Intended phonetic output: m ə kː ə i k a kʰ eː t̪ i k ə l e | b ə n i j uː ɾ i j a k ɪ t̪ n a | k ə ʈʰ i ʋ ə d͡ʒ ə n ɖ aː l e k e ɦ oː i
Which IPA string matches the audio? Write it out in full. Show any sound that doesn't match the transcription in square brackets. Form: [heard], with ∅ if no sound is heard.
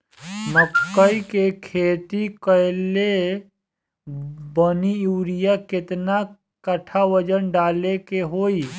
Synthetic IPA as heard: m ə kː ə i k [e] kʰ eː t̪ i k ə l e | b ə n i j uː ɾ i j a k ɪ t̪ n a | k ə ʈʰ [a] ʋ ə d͡ʒ ə n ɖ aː l e k e ɦ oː i

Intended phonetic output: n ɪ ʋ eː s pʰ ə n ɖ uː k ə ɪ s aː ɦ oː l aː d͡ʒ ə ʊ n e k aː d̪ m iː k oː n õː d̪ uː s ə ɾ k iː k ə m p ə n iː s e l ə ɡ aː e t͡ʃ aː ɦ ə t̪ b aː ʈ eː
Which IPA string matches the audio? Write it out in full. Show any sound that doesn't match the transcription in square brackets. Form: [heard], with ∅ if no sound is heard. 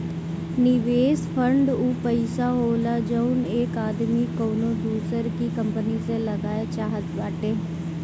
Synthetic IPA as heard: n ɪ ʋ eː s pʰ ə [ɳ] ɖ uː [p] ə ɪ s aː ɦ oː l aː d͡ʒ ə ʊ n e k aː d̪ m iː k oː n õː d̪ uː s ə ɾ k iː k ə m p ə n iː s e l ə ɡ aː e t͡ʃ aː ɦ ə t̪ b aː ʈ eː

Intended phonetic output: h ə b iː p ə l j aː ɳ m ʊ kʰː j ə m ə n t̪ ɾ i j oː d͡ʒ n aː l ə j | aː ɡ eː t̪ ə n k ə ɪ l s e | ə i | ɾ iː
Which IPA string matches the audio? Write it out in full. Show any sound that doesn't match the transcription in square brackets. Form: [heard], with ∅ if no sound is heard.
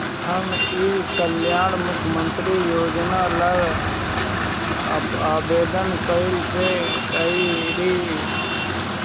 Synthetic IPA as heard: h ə [m] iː [k] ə l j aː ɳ m ʊ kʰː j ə m ə n t̪ ɾ i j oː d͡ʒ n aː l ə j | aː [b] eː [d̪] ə n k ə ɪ l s e | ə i | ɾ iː

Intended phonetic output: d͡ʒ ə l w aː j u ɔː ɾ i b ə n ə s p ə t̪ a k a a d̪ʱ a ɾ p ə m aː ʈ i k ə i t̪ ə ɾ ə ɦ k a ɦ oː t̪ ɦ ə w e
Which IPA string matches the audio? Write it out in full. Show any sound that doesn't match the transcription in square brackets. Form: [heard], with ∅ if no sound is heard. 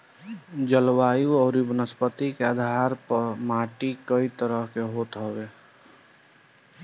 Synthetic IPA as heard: d͡ʒ ə l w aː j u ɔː ɾ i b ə n ə s p ə t̪ [i] k [e] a d̪ʱ a ɾ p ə m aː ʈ i k ə i t̪ ə ɾ ə ɦ k [e] ɦ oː t̪ ɦ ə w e

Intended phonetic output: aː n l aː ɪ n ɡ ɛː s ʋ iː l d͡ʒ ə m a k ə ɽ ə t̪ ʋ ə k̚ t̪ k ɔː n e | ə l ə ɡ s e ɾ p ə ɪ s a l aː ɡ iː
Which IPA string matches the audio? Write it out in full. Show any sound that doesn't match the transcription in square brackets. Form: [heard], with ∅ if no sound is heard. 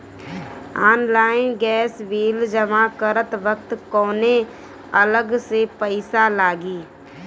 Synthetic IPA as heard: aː n l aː ɪ n ɡ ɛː s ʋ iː l d͡ʒ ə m a k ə [ɾ] ə t̪ ʋ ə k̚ t̪ k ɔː n e | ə l ə ɡ s e [∅] p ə ɪ s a l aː ɡ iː

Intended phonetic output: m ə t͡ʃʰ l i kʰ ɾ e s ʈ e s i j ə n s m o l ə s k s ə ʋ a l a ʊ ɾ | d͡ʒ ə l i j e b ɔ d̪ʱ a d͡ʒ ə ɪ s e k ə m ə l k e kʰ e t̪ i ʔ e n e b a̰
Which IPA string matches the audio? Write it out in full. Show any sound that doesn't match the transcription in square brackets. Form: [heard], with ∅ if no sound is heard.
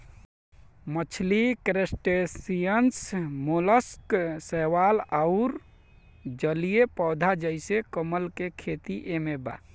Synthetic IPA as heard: m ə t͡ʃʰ l i [k] ɾ e s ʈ e s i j ə n s m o l ə s k s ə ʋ a l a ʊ ɾ | d͡ʒ ə l i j e [p] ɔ d̪ʱ a d͡ʒ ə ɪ s e k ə m ə l k e kʰ e t̪ i ʔ e [m] e b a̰

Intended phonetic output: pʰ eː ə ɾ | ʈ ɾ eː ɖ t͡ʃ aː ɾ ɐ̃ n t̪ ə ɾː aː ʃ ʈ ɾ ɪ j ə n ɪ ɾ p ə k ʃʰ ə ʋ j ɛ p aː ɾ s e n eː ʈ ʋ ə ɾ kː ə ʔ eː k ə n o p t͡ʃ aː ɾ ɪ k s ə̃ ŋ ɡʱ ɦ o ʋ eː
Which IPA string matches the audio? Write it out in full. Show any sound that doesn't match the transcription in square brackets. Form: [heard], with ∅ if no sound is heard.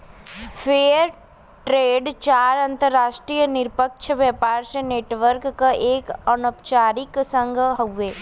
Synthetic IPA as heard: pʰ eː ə ɾ | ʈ ɾ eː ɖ t͡ʃ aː ɾ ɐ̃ n t̪ ə ɾː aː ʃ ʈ ɾ [i] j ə n ɪ ɾ p ə k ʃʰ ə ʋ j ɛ p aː ɾ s e n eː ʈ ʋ ə ɾ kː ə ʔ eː k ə n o p t͡ʃ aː ɾ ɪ k s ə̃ ŋ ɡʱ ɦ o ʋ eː

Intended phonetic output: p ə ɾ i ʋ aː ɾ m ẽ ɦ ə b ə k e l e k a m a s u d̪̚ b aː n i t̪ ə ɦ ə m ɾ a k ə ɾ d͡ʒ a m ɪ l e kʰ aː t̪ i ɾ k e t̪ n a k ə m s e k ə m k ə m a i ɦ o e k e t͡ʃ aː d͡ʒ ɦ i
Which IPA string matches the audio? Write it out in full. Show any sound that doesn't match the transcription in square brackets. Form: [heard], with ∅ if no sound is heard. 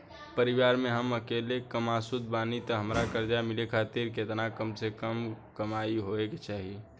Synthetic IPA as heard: p ə ɾ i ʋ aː ɾ m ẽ ɦ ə [m] ə k e l e k [ə] m a s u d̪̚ b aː n i t̪ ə ɦ ə m ɾ a k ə ɾ d͡ʒ a m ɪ l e kʰ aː t̪ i ɾ k e t̪ n a k ə m s e k ə m k ə m a i ɦ o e k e t͡ʃ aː [∅] ɦ i

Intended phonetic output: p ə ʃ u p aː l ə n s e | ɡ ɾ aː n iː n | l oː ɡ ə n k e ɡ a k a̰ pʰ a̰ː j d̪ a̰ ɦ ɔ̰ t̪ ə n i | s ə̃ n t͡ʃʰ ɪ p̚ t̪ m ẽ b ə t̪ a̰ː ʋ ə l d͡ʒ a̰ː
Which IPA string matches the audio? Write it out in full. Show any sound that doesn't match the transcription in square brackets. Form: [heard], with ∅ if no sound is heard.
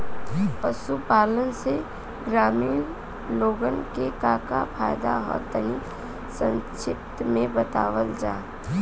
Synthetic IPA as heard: p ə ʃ u p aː l ə n s e | ɡ ɾ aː [m] iː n | l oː ɡ ə n k e [k] a k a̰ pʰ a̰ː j d̪ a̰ ɦ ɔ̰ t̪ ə n i | s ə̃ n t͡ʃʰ ɪ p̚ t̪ m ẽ b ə t̪ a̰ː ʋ ə l d͡ʒ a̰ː

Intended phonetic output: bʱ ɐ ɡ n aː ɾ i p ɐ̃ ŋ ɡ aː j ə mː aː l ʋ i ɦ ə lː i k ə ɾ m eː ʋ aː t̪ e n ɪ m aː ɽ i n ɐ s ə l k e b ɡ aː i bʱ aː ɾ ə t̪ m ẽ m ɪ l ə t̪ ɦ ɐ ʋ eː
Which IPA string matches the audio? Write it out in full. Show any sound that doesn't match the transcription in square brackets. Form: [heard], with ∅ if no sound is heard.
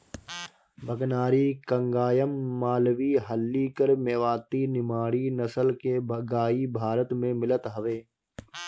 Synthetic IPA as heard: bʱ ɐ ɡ n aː ɾ i [k] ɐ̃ ŋ ɡ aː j ə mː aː l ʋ i ɦ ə lː i k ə ɾ m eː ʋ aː t̪ [i] n ɪ m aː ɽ i n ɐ s ə l k e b ɡ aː i bʱ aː ɾ ə t̪ m ẽ m ɪ l ə t̪ ɦ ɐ ʋ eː

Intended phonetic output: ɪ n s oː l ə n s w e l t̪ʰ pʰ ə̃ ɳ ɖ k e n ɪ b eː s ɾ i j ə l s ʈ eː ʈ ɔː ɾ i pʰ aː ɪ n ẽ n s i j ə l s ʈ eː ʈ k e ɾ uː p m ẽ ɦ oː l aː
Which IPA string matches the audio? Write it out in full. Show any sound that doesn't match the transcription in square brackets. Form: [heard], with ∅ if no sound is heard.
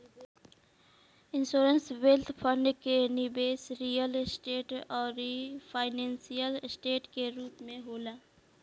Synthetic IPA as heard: ɪ n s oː [ɾ] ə n s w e l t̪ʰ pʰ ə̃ ɳ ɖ k e n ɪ b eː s ɾ i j ə l s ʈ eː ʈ ɔː ɾ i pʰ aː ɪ n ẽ n s i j ə l s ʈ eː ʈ k e ɾ uː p m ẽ ɦ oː l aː

